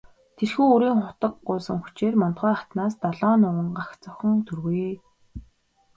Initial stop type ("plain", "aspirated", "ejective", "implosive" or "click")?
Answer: aspirated